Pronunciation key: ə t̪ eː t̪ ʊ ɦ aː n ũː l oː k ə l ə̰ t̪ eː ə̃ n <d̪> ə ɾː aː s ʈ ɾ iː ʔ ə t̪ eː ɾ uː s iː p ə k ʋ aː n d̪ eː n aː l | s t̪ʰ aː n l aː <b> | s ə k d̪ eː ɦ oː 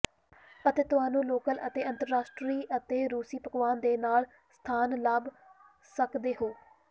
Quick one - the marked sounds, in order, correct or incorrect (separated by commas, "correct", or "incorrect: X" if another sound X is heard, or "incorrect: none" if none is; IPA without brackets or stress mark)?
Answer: incorrect: t̪, correct